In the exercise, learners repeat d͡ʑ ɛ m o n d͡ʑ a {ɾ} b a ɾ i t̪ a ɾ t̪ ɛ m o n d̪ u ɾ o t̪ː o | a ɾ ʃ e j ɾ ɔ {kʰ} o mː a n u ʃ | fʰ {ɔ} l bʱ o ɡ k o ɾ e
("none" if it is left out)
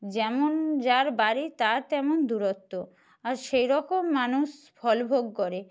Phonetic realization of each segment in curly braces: ɾ, k, ɔ

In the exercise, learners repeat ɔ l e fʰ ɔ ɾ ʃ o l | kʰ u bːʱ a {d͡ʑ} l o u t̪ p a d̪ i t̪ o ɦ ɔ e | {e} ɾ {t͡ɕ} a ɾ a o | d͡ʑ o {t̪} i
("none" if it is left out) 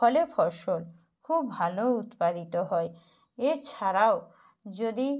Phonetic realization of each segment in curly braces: none, e, t͡ɕʰ, d̪

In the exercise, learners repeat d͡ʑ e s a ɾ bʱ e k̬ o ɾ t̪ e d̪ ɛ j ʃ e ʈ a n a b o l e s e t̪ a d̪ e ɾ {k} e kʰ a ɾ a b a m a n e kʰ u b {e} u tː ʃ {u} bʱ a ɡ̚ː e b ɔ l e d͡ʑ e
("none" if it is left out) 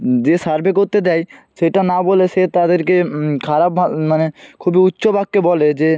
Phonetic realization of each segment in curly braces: k, i, o

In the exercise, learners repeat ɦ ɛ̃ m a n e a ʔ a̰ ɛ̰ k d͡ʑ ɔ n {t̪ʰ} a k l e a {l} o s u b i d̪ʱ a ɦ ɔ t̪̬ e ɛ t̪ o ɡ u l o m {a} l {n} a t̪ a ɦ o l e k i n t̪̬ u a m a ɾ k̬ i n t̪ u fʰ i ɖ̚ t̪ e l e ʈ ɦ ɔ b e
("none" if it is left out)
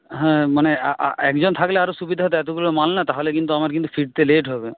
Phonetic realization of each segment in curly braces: t̪ʰ, ɾ, a, n

